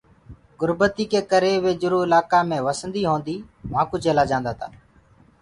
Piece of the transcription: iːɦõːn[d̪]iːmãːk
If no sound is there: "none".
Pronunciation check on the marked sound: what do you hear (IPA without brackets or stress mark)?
d̪